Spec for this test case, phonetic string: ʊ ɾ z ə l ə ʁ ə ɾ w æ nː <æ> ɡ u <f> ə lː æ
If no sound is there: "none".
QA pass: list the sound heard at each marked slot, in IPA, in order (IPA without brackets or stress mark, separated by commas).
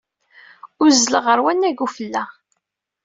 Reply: æ, f